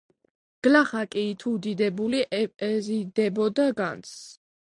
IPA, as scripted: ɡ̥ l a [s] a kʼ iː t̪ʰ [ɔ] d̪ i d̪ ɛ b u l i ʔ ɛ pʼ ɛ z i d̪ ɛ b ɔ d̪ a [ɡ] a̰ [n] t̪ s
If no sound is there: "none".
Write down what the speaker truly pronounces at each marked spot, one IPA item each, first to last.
χ, u, ɡ, n

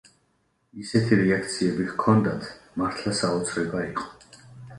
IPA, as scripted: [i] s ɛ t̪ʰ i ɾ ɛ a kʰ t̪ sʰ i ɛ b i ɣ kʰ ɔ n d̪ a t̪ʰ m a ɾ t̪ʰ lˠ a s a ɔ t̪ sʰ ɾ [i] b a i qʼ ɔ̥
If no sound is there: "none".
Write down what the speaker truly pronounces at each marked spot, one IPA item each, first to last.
i, ɛ

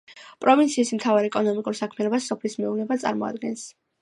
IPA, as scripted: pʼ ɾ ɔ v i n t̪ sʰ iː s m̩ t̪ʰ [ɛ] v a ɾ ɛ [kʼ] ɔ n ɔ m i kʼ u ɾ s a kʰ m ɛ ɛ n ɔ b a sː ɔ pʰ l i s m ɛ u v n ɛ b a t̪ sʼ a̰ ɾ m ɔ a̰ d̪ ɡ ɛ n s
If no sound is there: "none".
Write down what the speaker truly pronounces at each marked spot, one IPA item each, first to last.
a, kʼ

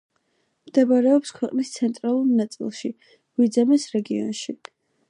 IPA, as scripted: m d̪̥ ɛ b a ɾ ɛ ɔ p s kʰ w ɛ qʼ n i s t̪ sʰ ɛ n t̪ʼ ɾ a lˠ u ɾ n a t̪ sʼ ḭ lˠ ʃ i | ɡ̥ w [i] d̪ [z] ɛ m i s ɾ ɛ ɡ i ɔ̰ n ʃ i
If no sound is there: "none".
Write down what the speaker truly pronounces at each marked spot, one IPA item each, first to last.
i, z

